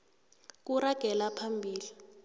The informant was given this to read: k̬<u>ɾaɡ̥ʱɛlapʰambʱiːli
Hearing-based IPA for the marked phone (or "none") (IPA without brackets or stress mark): u